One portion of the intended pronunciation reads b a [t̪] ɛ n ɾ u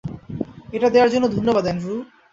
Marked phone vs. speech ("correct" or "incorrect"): incorrect